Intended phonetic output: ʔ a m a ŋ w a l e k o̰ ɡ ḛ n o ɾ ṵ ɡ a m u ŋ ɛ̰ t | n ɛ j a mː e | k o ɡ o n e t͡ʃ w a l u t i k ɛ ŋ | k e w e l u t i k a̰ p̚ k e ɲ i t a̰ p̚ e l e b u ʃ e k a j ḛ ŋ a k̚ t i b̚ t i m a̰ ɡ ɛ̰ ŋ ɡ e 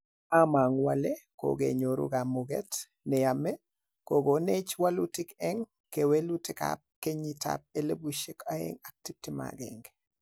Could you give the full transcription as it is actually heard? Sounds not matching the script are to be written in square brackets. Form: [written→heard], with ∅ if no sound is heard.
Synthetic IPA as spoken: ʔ a m a ŋ w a l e k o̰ ɡ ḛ [n→ɲ] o ɾ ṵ ɡ a m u [ŋ→ɡ] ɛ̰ t | n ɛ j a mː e | k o ɡ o n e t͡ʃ w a l u t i k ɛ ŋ | k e w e l u t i k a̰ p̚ k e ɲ i t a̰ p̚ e l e b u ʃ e k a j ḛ ŋ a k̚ t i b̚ t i m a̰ ɡ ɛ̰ ŋ ɡ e